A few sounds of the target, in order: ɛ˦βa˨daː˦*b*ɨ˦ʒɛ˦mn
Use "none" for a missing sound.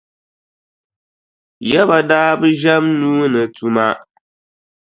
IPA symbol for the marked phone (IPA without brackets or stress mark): b